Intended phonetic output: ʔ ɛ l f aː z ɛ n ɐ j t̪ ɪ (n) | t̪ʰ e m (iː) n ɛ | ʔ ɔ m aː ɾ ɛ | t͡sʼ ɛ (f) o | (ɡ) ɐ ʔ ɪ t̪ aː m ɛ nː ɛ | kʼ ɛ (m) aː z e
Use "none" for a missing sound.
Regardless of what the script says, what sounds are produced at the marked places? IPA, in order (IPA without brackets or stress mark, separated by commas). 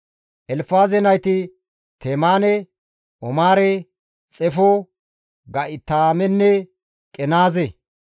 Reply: none, aː, f, ɡ, n